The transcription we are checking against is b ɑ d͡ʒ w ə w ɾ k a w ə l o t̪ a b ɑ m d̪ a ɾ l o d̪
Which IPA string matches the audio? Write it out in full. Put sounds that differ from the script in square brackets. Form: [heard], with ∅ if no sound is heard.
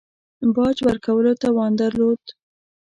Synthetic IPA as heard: b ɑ d͡ʒ w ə [∅] ɾ k a w ə l o t̪ a [w] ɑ [n] d̪ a ɾ l o d̪